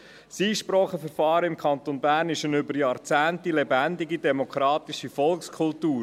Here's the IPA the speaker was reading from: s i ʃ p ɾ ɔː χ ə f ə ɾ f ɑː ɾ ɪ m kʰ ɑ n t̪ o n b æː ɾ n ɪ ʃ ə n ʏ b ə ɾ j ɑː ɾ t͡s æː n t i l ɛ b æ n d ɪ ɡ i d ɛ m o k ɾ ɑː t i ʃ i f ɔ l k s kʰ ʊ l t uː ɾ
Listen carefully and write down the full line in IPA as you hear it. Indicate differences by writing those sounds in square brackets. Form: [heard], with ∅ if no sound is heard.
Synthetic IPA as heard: s [iː] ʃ p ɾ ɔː χ ə f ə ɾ f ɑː ɾ ɪ m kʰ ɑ n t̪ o n b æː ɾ n ɪ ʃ ə n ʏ b ə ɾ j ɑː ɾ t͡s æː n t i l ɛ b æ n d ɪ ɡ i d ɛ m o k ɾ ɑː t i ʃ i f ɔ l k s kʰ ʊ l t uː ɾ